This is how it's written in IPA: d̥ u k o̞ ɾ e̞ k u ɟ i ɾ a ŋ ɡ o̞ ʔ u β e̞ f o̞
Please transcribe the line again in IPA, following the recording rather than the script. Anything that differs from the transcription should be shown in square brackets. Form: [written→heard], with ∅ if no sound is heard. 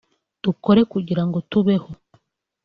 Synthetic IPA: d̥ u k o̞ ɾ e̞ k u ɟ i ɾ a ŋ ɡ o̞ [ʔ→t] u β e̞ [f→h] o̞